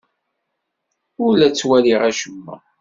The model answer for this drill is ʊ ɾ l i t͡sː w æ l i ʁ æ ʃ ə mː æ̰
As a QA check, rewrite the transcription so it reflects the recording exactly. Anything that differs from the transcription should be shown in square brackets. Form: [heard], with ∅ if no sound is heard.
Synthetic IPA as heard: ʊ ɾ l [æ] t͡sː w æ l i ʁ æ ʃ ə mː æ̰